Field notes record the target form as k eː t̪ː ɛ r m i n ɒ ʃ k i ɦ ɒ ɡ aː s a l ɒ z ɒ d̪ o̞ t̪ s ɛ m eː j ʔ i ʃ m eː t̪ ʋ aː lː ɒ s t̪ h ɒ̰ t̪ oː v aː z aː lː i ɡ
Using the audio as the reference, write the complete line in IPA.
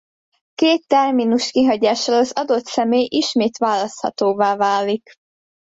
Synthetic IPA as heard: k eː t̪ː ɛ r m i n u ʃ k i ɦ ɒ ɟ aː ʃ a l ɒ z ɒ d̪ o̞ t̪ s ɛ m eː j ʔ i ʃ m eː t̪ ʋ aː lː ɒ s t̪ h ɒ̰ t̪ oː v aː v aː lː i k